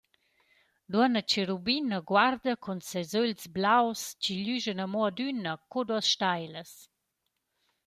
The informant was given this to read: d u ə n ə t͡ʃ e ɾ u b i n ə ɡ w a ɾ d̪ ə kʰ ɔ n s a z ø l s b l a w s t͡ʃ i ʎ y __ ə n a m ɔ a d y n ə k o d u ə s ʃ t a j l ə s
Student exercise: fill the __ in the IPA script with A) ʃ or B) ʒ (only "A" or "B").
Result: B